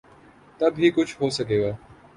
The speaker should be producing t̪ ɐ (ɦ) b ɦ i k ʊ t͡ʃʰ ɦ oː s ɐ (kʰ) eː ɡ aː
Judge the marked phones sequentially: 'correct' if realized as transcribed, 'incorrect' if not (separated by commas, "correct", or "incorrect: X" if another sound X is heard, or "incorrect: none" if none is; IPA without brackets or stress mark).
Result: incorrect: none, incorrect: k